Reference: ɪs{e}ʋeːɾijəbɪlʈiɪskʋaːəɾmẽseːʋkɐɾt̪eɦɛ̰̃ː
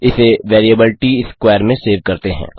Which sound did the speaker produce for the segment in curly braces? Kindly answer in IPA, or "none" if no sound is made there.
e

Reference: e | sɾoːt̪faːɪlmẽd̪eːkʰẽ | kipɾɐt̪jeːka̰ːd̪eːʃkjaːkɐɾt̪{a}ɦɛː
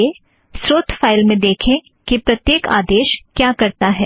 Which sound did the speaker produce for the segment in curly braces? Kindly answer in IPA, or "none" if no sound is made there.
a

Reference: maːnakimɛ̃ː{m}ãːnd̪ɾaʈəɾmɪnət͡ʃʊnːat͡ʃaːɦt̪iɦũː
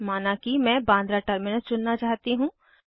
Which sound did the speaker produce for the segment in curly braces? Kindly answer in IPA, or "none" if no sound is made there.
b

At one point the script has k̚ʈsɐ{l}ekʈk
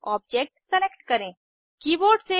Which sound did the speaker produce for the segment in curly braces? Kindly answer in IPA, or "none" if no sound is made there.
l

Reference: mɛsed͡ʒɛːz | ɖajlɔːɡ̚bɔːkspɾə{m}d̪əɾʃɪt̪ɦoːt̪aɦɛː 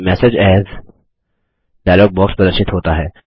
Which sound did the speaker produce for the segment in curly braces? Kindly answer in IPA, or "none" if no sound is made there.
none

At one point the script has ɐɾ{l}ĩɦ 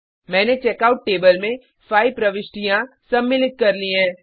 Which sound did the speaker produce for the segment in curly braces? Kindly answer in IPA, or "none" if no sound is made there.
l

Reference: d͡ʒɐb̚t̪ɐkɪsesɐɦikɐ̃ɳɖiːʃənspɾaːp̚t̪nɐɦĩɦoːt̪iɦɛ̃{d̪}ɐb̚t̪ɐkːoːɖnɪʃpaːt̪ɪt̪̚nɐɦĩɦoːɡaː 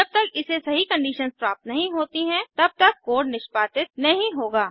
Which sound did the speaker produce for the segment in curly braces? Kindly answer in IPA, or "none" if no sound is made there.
t̪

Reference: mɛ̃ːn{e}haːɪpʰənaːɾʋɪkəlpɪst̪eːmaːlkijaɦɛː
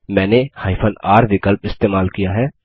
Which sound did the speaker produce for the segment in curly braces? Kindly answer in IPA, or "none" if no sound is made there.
e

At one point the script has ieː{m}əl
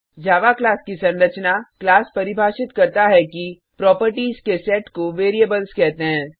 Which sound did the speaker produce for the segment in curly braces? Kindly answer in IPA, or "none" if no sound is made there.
b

